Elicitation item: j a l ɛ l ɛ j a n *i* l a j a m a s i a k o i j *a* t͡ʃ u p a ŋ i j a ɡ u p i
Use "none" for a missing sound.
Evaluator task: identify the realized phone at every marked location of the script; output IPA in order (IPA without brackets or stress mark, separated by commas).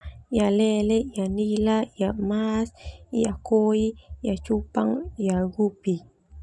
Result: i, a